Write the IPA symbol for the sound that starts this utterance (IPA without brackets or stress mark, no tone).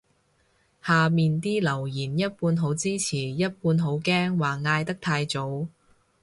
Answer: h